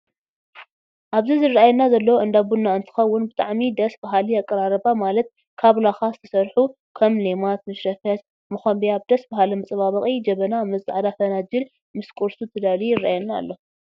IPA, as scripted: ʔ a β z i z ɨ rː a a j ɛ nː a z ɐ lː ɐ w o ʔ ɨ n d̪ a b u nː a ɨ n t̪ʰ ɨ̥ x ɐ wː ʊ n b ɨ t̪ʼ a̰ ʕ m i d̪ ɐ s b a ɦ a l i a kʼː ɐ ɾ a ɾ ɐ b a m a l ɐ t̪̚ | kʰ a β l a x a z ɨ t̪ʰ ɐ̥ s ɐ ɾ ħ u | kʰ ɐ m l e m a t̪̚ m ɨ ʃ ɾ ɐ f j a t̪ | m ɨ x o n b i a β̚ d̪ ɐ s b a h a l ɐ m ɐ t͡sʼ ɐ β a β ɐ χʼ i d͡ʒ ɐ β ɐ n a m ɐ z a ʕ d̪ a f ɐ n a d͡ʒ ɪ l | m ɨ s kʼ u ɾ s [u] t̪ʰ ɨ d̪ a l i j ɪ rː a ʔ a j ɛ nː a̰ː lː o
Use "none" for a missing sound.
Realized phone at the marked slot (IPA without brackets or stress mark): u